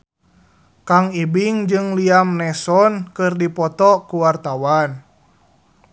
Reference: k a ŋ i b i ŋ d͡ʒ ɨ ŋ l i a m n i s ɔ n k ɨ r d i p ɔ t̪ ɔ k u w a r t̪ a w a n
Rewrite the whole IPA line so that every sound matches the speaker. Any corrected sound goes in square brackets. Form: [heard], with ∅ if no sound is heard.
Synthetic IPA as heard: k a ŋ i b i ŋ d͡ʒ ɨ ŋ l i a m n [ɛ] s ɔ n k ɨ r d i p ɔ t̪ ɔ k u w a r t̪ a w a n